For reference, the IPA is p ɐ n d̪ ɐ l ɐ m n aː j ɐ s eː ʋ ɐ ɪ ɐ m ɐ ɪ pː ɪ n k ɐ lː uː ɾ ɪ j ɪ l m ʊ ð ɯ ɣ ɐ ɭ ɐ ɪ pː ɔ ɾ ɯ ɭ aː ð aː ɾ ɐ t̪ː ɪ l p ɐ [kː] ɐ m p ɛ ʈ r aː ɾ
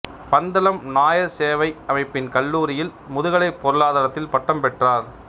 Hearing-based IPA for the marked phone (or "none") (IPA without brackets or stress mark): ʈː